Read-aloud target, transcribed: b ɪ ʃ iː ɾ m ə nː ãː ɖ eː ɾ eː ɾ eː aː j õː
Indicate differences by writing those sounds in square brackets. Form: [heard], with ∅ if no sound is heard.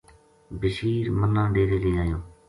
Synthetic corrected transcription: b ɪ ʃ iː ɾ m ə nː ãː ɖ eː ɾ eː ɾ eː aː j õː